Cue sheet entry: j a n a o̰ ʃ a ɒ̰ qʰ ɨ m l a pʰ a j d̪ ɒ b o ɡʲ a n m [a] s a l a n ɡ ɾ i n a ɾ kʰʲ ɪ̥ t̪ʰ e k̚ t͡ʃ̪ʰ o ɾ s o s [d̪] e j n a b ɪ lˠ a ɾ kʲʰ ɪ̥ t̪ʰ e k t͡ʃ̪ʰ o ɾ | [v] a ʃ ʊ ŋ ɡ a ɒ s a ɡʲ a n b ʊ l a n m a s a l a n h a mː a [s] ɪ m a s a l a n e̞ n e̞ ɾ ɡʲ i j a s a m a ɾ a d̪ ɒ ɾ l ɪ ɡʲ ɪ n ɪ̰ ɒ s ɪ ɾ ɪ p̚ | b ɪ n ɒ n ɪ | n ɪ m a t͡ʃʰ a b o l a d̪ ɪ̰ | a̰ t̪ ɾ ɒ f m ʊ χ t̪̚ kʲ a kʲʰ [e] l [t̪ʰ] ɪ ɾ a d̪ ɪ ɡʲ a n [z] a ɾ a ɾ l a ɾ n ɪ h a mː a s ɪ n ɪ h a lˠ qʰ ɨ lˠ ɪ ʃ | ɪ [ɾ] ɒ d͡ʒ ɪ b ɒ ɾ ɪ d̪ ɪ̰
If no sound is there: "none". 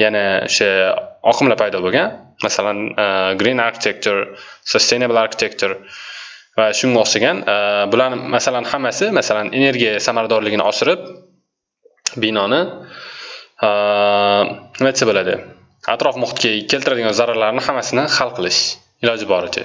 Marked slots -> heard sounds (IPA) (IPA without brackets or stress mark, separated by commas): a, t̪, v, s, e, t̪, z, l